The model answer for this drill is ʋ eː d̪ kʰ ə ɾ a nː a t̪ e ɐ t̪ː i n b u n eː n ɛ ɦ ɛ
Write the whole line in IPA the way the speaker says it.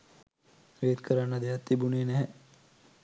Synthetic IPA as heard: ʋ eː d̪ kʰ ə ɾ a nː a d̪ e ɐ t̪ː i b u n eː n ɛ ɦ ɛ